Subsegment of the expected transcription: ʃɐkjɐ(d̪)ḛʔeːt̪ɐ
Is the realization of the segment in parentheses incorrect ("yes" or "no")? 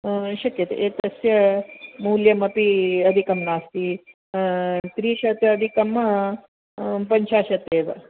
yes